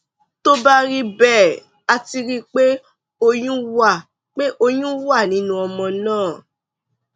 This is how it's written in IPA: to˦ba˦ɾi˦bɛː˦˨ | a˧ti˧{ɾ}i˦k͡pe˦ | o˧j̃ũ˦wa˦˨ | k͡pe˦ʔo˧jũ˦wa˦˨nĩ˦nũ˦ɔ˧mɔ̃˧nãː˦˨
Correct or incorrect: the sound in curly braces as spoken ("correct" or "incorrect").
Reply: correct